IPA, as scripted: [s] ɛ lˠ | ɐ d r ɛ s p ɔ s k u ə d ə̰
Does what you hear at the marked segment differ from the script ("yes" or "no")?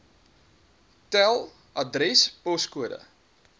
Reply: yes